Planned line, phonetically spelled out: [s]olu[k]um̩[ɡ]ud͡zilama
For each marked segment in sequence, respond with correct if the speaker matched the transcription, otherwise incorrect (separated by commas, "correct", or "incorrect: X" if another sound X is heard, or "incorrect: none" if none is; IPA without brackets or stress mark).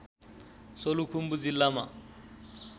correct, incorrect: kʰ, incorrect: b